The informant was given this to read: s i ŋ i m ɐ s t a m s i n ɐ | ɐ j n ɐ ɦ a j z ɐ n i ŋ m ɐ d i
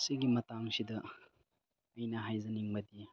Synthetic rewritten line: s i ɡ i m ɐ t a ŋ s i d ɐ | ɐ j n ɐ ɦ a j z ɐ n i ŋ b ɐ d i